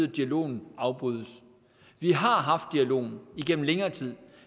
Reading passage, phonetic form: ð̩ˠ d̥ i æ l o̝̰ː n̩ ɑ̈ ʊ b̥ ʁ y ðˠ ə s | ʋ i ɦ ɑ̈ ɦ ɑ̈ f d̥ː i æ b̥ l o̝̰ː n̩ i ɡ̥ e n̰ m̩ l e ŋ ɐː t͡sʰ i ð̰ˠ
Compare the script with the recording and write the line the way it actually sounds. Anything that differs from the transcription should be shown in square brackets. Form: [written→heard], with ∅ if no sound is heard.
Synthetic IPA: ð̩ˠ d̥ i æ l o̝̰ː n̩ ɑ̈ ʊ b̥ ʁ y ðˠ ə s | ʋ i ɦ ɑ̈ ɦ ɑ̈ f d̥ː i æ [b̥→∅] l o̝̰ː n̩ i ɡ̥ e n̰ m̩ l e ŋ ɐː t͡sʰ i ð̰ˠ